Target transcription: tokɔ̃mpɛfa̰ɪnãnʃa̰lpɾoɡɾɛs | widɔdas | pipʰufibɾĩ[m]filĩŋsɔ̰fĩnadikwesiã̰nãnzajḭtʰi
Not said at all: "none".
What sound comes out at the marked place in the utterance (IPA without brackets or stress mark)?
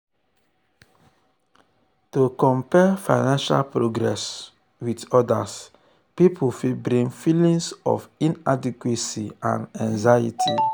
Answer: ŋ